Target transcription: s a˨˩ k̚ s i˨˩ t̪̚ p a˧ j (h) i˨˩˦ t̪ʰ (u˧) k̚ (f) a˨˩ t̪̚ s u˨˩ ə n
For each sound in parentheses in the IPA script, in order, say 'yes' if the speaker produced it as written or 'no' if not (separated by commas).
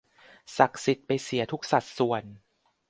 no, no, no